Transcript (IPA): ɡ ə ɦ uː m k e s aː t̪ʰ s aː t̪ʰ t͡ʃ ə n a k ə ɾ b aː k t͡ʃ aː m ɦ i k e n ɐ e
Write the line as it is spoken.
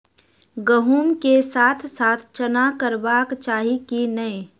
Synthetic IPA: ɡ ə ɦ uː m k e s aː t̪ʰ s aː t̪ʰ t͡ʃ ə n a k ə ɾ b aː k t͡ʃ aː ɦ i k i n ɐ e

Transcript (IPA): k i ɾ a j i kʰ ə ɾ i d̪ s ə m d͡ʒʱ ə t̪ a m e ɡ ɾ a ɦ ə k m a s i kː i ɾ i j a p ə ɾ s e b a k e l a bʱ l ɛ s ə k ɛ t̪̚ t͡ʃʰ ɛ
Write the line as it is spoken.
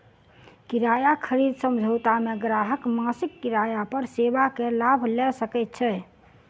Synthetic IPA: k i ɾ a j a kʰ ə ɾ i d̪ s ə m d͡ʒʱ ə t̪ a m e ɡ ɾ a ɦ ə k m a s i kː i ɾ a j a p ə ɾ s e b a k e l a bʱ l ɛ s ə k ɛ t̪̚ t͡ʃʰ ɛ

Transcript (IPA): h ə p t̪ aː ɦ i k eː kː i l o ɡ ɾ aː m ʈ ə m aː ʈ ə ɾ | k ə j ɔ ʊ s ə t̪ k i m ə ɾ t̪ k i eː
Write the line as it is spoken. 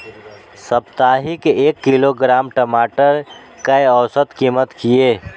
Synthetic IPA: s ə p t̪ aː ɦ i k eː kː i l o ɡ ɾ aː m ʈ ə m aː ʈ ə ɾ | k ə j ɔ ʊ s ə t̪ k i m ə t̪ k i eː

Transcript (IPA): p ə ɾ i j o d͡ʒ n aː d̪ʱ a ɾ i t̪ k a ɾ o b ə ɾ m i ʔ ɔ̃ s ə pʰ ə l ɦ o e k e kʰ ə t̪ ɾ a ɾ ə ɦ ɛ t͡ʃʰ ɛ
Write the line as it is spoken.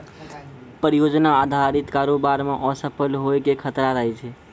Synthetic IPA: p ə ɾ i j o d͡ʒ n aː d̪ʱ a ɾ i t̪ k a ɾ o b a ɾ m e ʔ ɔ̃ s ə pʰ ə l ɦ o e k e kʰ ə t̪ ɾ a ɾ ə ɦ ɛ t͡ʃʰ ɛ

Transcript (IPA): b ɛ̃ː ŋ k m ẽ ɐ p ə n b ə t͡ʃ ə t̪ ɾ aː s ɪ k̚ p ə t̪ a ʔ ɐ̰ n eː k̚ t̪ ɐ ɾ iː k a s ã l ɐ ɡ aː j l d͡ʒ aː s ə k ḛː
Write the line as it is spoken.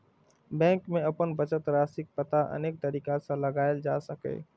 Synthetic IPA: b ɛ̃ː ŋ k m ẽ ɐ p ə n b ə t͡ʃ ə t̪ ɾ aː s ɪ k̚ p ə t̪ a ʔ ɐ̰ n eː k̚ t̪ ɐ ɾ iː k a s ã l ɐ ɡ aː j l d͡ʒ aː s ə k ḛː

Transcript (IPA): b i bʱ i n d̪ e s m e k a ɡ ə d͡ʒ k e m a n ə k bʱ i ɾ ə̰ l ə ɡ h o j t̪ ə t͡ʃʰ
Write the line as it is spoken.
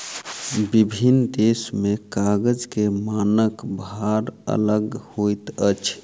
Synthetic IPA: b i bʱ i n d̪ e s m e k a ɡ ə d͡ʒ k e m a n ə k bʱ a ɾ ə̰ l ə ɡ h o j t̪ ə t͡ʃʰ

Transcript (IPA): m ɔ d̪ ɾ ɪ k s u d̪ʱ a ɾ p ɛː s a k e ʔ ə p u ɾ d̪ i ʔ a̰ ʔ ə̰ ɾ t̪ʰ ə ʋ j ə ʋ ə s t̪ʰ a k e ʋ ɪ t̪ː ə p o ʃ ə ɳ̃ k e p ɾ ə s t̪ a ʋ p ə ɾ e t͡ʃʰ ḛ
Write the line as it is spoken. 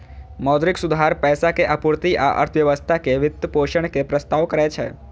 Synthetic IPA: m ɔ d̪ ɾ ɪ k s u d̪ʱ a ɾ p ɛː s a k e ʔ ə p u ɾ t̪ i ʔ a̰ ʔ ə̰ ɾ t̪ʰ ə ʋ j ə ʋ ə s t̪ʰ a k e ʋ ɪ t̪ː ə p o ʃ ə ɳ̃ k e p ɾ ə s t̪ a ʋ k ə ɾ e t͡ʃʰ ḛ

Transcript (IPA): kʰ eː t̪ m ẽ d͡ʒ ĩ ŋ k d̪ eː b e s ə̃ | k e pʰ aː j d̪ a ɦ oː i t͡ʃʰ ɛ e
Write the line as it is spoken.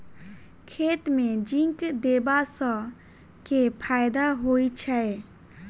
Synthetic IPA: kʰ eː t̪ m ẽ d͡ʒ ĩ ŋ k d̪ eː b a s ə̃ | k e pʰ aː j d̪ a ɦ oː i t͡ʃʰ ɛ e

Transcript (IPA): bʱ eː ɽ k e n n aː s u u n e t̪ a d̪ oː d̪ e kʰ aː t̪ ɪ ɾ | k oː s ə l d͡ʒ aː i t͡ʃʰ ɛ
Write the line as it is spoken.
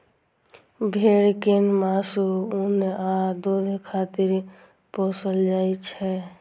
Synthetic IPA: bʱ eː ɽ k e n m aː s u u n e a d̪ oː d̪ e kʰ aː t̪ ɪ ɾ | p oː s ə l d͡ʒ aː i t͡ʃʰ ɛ

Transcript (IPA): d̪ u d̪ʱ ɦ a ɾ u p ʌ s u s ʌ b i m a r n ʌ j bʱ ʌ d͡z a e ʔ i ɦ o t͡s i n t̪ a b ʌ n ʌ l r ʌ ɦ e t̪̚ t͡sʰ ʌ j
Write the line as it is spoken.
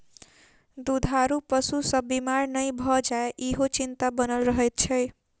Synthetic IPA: d̪ u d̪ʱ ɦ a ɾ u p ʌ s u s ʌ b i m a r n ʌ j bʱ ʌ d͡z a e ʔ i ɦ o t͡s i n t̪ a b ʌ n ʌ l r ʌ ɦ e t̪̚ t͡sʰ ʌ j

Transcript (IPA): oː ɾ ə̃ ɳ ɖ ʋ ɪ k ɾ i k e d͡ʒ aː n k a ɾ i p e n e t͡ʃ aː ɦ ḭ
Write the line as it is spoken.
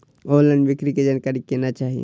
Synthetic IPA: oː l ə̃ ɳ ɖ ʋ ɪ k ɾ i k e d͡ʒ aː n k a ɾ i k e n a t͡ʃ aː ɦ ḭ

